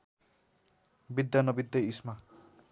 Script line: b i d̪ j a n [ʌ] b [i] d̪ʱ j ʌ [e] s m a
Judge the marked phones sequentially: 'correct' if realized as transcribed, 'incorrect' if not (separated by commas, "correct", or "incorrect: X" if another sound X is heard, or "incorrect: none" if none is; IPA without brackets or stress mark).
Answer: correct, correct, incorrect: i